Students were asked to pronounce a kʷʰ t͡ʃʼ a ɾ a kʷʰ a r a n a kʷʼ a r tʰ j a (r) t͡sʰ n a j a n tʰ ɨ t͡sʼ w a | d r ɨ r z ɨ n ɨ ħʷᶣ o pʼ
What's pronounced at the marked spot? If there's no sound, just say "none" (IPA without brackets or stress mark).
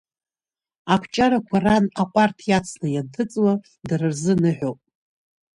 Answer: none